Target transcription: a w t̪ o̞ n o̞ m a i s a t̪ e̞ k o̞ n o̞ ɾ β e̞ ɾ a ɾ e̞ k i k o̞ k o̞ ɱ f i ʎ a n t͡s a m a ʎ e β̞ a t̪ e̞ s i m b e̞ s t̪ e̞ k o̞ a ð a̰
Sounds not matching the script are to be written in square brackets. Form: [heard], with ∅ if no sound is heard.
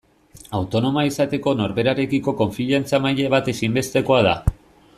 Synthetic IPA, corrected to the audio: a w t̪ o̞ n o̞ m a i s a t̪ e̞ k o̞ n o̞ ɾ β e̞ ɾ a ɾ e̞ k i k o̞ k o̞ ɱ f i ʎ a n t͡s a m a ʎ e β̞ a t̪ e̞ s i m b e̞ s t̪ e̞ k o̞ a ð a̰